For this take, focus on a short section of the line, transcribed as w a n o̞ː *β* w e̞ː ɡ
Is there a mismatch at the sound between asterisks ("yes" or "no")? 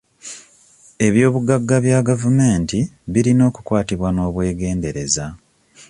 no